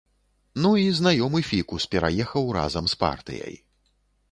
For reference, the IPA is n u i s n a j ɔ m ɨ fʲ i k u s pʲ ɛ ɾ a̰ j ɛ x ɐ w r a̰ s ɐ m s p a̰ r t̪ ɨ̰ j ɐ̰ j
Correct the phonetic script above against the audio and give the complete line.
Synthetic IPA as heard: n u i z n a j ɔ m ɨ fʲ i k u s pʲ ɛ ɾ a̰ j ɛ x ɐ w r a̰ z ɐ m s p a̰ r t̪ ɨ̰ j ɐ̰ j